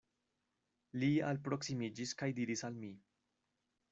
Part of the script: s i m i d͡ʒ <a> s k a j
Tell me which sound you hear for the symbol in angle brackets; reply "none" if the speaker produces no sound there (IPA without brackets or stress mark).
i